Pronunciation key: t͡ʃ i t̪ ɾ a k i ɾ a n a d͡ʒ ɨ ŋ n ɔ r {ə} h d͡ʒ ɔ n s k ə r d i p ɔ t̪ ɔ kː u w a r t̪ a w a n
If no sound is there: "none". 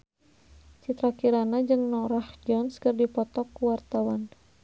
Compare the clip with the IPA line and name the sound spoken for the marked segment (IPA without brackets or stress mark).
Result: a